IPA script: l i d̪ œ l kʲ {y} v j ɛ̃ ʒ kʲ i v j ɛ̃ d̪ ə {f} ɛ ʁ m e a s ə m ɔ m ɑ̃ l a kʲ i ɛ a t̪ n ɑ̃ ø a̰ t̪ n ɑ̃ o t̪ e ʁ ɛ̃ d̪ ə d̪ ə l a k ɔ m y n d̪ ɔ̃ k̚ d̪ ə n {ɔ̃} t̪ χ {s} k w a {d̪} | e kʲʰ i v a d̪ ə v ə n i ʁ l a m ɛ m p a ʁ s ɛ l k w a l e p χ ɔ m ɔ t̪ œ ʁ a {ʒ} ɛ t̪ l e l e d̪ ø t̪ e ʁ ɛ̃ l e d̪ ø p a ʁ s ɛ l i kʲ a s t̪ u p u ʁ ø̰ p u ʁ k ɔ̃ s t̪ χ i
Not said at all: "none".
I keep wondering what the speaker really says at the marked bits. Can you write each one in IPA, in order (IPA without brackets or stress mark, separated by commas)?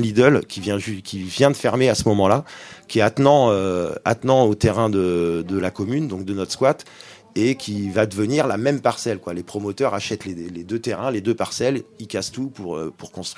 i, f, ɔ, s, t̪, ʃ